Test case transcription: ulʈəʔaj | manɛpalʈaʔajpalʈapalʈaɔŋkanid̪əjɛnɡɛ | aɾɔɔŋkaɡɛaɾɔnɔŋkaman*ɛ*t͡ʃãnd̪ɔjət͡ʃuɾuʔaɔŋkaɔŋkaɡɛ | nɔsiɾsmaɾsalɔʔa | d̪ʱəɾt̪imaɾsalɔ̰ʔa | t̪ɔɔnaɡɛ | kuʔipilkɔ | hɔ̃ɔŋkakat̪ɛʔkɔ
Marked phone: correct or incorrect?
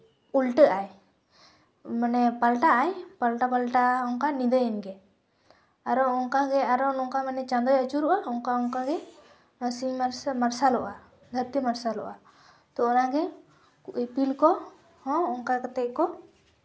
correct